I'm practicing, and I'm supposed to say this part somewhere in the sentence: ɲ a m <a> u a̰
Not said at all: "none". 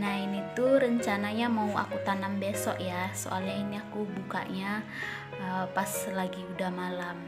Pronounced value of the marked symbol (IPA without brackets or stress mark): a